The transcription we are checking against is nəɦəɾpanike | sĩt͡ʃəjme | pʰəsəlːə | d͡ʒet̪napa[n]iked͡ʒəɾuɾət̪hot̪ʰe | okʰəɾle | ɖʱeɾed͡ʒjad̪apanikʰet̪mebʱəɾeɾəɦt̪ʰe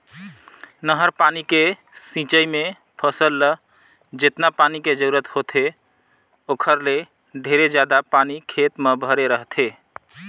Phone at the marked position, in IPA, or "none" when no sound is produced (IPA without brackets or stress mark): n